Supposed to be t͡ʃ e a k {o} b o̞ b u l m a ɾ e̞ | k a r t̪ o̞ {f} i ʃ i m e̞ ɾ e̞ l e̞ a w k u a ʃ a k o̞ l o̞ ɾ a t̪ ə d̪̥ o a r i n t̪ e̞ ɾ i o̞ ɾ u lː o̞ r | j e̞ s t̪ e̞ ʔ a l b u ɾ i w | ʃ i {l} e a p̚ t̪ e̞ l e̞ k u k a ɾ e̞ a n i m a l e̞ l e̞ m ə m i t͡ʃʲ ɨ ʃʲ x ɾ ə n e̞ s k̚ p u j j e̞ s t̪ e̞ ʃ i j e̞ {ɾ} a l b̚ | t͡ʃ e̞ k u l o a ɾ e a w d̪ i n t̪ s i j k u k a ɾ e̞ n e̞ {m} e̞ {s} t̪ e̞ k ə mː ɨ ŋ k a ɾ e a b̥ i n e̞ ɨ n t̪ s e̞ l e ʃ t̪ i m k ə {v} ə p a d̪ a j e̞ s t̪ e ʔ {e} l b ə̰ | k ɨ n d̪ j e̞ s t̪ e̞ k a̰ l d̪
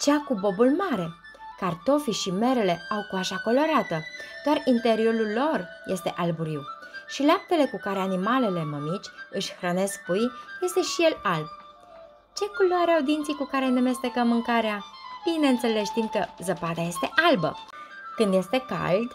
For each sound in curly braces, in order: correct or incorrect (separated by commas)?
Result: incorrect, correct, correct, incorrect, correct, correct, incorrect, incorrect